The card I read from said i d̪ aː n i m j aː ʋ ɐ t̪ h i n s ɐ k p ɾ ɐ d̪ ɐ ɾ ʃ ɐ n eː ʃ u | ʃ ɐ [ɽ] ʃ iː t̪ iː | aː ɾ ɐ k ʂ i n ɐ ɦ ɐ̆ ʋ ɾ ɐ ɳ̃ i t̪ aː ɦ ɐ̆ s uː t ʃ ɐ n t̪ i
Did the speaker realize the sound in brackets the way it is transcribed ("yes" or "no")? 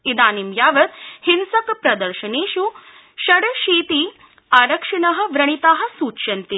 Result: yes